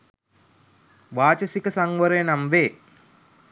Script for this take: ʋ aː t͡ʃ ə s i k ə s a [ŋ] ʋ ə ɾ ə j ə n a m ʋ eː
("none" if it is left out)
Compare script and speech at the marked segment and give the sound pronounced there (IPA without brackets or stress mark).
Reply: ŋ